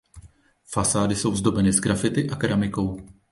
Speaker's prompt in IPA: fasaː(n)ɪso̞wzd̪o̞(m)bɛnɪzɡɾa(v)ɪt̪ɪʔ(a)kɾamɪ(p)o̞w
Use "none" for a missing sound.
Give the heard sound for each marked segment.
d, none, f, a, k

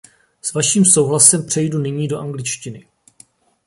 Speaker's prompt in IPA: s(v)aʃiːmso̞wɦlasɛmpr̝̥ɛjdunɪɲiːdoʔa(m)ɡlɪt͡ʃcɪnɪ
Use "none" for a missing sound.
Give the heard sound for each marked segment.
v, ŋ

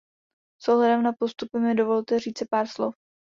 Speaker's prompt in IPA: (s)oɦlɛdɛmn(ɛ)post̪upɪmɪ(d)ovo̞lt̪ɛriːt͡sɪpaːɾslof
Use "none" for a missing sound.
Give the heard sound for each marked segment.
s, a, d

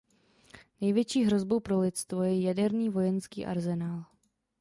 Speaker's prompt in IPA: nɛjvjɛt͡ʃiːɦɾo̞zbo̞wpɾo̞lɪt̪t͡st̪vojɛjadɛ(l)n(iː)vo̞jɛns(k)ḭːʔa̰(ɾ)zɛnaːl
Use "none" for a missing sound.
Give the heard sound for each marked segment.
ɾ, iː, k, ɾ

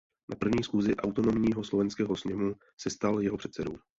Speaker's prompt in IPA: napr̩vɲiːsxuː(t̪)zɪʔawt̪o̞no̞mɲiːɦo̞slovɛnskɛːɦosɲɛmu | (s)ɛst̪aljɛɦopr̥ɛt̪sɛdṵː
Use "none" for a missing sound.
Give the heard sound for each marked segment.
none, s

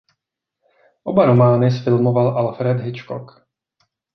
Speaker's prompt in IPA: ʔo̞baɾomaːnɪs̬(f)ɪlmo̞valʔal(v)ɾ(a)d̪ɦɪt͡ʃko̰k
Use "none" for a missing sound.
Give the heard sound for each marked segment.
f, f, ɛ

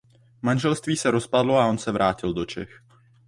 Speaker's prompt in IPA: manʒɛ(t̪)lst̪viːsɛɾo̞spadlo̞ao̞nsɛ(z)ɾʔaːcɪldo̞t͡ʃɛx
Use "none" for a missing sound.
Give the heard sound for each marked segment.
none, v

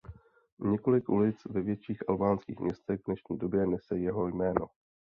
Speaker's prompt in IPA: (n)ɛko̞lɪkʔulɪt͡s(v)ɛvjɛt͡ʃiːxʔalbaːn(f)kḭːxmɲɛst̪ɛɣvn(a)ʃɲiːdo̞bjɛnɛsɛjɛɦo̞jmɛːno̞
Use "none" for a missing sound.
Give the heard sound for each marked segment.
ɲ, v, s, ɛ

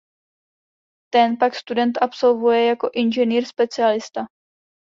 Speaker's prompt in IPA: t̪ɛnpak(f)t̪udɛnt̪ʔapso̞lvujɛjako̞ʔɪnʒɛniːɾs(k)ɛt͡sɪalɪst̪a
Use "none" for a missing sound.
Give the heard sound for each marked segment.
s, p

